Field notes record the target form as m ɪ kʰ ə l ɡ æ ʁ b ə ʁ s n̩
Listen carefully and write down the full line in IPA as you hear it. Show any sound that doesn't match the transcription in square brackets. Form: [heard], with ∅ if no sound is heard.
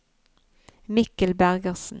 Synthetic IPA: m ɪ [k] ə l [b] æ ʁ [ɡ] ə ʁ s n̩